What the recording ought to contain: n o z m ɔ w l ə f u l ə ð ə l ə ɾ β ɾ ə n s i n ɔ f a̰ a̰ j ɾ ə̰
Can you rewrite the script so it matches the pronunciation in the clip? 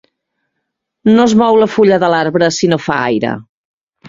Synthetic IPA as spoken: n o z m ɔ w l ə f u ʎ ə ð ə l a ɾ β ɾ ə s i n o f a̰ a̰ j ɾ ə̰

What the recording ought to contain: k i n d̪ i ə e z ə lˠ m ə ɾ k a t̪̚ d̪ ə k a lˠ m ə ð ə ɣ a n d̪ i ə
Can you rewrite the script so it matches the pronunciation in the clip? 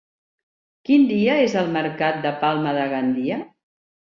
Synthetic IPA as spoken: k i n d̪ i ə e z ə lˠ m ə ɾ k a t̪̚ d̪ ə p a lˠ m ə ð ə ɣ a n d̪ i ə

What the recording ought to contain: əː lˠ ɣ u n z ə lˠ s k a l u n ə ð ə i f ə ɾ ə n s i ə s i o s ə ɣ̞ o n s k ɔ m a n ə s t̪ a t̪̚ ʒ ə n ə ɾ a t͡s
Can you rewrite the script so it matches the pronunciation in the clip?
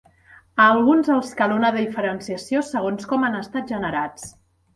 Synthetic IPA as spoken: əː lˠ ɣ u n z ə lˠ s k a l u n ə ð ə i f ə ɾ ə n s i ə s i o s ə ɣ̞ o n s k ɔ m a n ə s t̪ a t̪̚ ʒ ə n ə ɾ a t͡s

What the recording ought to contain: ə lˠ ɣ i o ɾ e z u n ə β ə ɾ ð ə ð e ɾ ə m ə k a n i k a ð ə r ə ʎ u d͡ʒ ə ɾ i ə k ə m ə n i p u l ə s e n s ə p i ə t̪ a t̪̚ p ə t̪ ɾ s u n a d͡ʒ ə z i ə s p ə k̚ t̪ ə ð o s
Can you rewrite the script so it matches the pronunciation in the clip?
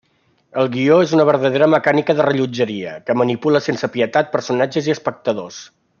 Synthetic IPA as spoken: ə lˠ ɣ i o e z u n ə β ə ɾ ð ə ð e ɾ ə m ə k a n i k ə ð ə r ə ʎ u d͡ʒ ə ɾ i ə k ə m ə n i p u l ə s e n s ə p i ə t̪ a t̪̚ p ə ɾ s u n a d͡ʒ ə z i ə s p ə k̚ t̪ ə ð o s

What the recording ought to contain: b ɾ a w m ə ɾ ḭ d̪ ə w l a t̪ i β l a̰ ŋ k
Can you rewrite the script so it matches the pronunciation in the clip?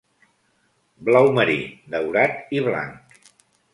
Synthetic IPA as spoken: b l a w m ə ɾ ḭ d̪ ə w ɾ a t̪ i β l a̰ ŋ k

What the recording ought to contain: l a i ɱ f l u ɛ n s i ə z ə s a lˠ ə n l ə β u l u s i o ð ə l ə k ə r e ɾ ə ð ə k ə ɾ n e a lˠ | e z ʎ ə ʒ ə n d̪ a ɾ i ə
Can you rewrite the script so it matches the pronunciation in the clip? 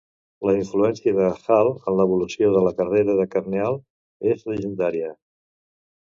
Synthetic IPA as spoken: l ə i ɱ f l u ɛ n s i ə ð ə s a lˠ ə n l ə β u l u s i o ð ə l ə k ə r e ɾ ə ð ə k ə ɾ n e a lˠ | e z l ə ʒ ə n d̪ a ɾ i ə

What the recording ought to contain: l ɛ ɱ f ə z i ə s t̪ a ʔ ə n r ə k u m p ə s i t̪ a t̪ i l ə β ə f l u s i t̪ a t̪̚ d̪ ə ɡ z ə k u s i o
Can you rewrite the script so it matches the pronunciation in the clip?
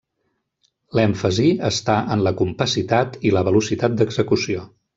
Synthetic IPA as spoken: l ɛ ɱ f ə z i ə s t̪ a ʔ ə n l ə k u m p ə s i t̪ a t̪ i l ə β ə l u s i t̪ a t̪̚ d̪ ə ɡ z ə k u s i o

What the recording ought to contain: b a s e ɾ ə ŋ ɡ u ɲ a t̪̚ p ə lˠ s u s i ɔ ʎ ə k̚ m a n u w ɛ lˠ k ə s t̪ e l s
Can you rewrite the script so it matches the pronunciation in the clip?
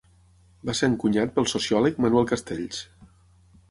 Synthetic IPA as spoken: b a s e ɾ ə ŋ k u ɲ a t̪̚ p ə lˠ s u s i ɔ l ə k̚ m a n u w ɛ lˠ k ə s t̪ e ʎ s

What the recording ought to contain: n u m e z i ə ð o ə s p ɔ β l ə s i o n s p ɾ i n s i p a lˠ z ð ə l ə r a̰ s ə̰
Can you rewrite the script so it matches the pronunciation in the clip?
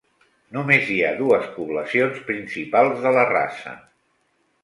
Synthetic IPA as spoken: n u m e z i a ð u ə s p u β l ə s i o n s p ɾ i n s i p a lˠ z ð ə l ə r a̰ s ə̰

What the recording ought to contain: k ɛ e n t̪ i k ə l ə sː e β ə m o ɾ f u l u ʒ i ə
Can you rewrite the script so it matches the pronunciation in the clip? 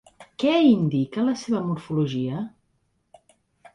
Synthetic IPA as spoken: k ɛ i n d̪ i k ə l ə s e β ə m u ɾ f u l u ʒ i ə

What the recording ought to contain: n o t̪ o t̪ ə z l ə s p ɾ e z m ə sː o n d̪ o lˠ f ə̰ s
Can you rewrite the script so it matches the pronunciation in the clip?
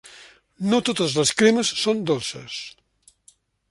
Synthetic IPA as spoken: n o t̪ o t̪ ə z l ə s k ɾ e m ə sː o n d̪ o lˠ s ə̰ s

